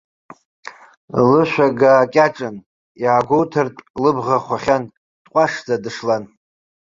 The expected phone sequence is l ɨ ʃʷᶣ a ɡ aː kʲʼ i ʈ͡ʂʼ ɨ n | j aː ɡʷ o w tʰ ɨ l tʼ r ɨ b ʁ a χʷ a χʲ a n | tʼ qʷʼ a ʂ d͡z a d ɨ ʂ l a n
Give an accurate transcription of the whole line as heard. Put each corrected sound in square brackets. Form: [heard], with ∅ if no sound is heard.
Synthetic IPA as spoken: l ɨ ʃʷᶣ a ɡ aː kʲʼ [a] ʈ͡ʂʼ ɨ n | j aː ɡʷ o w tʰ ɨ [r] tʼ [l] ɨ b ʁ a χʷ a χʲ a n | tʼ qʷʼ a ʂ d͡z a d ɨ ʂ l a n